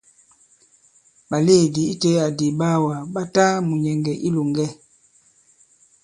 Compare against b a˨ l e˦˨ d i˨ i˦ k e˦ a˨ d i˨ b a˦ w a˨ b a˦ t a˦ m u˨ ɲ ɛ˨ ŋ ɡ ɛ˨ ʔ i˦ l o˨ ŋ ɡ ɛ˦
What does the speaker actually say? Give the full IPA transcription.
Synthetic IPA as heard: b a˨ l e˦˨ d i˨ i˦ t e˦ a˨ d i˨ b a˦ w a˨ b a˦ t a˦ m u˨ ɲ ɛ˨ ŋ ɡ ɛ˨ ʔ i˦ l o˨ ŋ ɡ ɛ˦